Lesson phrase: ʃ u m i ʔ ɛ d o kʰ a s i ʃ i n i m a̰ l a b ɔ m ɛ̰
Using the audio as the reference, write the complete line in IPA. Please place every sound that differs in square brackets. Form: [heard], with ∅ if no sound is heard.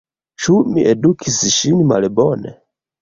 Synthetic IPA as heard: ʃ u m i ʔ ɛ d [u] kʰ [i] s i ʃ i n i m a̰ l [ɛ] b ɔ [n] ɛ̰